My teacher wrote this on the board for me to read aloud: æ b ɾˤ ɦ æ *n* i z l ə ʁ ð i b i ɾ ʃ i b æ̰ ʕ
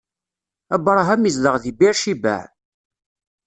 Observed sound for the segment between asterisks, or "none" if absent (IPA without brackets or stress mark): m